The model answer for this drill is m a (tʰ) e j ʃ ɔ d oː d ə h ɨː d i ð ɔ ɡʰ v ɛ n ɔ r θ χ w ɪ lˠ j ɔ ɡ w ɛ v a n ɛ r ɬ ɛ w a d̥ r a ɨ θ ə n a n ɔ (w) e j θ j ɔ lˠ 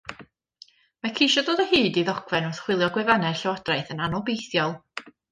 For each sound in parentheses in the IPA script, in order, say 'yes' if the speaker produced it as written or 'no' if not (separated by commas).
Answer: no, no